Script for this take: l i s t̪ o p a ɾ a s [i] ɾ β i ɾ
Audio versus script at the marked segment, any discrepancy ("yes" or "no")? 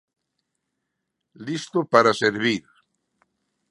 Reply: yes